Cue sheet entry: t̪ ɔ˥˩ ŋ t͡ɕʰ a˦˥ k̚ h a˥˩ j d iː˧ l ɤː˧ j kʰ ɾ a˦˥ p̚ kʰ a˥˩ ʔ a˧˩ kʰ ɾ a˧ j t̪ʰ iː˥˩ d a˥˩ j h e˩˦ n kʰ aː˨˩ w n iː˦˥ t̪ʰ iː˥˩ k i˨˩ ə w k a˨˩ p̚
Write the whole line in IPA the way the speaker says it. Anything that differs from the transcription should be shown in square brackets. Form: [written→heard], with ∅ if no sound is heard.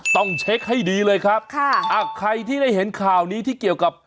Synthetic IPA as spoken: t̪ ɔ˥˩ ŋ t͡ɕʰ [a˦˥→e˦˥] k̚ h a˥˩ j d iː˧ l ɤː˧ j kʰ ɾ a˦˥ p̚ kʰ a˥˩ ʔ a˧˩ kʰ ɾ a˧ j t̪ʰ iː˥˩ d a˥˩ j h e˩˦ n kʰ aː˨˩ w n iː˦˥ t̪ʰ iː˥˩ k i˨˩ ə w k a˨˩ p̚